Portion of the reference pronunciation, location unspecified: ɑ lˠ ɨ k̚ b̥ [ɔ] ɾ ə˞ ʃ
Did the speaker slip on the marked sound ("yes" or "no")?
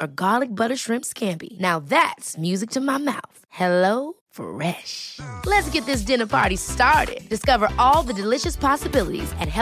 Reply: yes